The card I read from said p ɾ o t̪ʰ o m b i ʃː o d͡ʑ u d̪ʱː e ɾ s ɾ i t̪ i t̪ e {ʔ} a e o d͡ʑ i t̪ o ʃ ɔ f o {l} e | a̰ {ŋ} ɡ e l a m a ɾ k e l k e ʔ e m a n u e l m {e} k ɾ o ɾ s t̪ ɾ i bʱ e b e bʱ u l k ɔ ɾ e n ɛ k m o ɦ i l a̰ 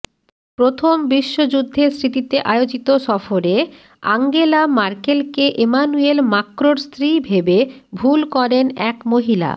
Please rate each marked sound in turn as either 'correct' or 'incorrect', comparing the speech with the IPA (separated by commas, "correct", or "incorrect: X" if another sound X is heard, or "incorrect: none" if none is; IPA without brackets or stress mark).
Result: correct, incorrect: ɾ, correct, incorrect: a